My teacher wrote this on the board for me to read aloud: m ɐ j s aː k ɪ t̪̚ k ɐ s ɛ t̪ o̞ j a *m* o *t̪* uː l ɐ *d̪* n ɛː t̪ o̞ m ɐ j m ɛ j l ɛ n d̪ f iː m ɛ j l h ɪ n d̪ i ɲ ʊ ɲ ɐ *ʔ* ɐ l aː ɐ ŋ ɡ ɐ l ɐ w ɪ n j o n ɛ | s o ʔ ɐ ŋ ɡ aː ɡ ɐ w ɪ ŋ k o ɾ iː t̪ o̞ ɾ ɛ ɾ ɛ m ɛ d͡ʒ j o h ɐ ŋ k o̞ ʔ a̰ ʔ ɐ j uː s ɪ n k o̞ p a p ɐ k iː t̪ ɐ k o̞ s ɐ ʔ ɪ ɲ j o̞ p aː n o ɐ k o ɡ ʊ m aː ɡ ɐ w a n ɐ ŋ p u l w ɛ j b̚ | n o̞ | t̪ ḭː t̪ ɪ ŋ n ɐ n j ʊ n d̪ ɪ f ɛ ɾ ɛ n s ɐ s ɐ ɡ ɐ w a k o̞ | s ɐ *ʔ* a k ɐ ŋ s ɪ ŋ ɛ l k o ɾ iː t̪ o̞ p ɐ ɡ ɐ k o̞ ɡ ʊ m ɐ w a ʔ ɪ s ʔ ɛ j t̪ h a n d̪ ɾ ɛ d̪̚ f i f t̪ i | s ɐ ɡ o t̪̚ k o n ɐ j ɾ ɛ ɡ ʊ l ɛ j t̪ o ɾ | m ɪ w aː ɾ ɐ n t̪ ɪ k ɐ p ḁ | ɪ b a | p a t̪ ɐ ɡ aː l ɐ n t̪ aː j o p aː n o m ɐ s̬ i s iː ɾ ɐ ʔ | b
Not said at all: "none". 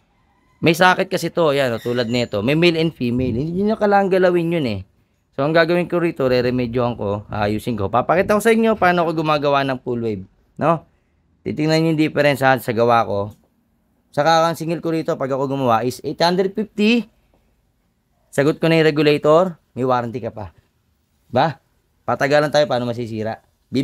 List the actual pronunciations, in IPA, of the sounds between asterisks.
n, t̪, d̪, k, k

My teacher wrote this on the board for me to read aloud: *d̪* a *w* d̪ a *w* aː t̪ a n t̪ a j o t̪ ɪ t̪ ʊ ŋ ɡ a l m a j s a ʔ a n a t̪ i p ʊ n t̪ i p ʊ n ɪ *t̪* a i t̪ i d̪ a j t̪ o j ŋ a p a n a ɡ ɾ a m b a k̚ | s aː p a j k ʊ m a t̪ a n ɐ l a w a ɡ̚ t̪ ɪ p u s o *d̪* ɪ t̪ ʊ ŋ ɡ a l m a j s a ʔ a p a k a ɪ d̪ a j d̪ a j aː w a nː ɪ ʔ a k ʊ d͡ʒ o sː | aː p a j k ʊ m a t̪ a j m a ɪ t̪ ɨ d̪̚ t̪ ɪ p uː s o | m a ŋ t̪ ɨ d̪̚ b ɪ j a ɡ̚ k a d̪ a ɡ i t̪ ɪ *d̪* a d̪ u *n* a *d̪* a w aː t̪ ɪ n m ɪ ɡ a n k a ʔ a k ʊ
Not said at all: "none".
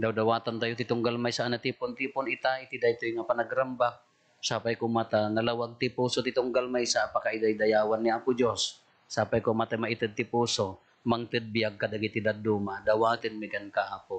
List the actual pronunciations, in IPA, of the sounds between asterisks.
d̪, w, w, t̪, t̪, d̪, m, d̪

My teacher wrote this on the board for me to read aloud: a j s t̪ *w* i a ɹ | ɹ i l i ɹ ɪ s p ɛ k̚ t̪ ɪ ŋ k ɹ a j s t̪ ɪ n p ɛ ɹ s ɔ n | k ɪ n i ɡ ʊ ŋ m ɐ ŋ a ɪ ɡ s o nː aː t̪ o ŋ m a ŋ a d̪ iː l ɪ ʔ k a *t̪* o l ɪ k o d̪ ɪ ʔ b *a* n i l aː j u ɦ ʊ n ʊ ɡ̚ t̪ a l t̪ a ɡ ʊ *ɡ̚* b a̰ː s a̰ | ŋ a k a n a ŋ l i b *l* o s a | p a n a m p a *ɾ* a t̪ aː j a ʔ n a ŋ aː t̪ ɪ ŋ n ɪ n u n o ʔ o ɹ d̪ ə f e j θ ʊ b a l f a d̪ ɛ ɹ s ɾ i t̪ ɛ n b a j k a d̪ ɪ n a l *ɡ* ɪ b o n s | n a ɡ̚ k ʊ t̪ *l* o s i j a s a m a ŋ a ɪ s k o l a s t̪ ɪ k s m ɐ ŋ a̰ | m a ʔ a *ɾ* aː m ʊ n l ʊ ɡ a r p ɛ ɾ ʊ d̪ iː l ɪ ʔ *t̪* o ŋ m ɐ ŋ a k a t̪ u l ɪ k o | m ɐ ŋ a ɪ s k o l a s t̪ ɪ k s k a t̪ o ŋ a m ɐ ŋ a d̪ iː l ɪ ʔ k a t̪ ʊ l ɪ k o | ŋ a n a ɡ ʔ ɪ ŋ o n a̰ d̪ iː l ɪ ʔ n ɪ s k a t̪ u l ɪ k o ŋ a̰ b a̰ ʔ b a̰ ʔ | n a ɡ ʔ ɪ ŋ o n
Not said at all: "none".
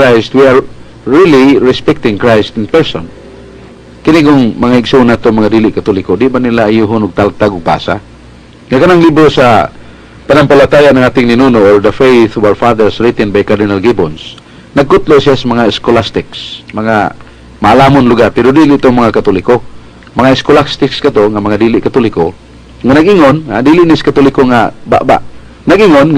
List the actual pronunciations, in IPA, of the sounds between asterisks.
w, t̪, a, ɡ̚, ɾ, l, ɡ, l, l, t̪

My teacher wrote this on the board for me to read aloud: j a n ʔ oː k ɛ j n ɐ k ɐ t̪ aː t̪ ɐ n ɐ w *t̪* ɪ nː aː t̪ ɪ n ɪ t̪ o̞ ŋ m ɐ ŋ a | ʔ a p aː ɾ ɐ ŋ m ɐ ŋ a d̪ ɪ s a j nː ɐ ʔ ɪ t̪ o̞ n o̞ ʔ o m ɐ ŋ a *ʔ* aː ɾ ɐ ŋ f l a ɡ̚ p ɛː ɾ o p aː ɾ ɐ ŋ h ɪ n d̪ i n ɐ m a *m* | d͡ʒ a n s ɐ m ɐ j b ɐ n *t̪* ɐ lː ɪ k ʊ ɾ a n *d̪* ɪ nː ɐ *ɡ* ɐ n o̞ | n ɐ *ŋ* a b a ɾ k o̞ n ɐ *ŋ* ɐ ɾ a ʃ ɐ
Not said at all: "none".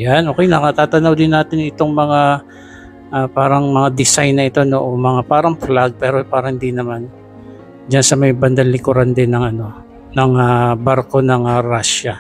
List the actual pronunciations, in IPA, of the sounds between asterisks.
d̪, p, n, d̪, d̪, ŋ, ŋ, ŋ

